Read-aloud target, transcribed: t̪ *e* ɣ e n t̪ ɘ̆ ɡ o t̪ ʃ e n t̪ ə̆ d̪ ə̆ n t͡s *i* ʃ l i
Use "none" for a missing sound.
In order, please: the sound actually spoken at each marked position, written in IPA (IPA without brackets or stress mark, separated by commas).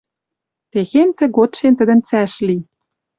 e, æ